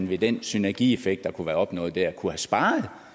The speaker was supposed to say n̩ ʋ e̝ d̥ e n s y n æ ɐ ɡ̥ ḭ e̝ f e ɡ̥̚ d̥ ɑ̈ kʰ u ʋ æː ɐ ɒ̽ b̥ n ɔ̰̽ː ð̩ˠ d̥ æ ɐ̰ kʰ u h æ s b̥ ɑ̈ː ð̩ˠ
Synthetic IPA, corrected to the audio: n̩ ʋ e̝ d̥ e n s y n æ ɐ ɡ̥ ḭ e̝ f e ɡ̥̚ d̥ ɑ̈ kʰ u ʋ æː ɐ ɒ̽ b̥ n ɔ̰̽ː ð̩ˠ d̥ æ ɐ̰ kʰ u h æ s b̥ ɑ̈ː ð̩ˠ